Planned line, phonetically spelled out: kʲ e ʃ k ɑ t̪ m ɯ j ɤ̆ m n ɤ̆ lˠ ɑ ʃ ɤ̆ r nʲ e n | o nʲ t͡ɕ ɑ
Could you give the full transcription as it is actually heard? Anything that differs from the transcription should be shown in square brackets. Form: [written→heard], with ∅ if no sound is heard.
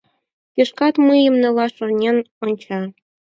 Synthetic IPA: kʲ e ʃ k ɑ t̪ m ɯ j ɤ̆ m n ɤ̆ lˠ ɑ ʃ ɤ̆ r nʲ e n | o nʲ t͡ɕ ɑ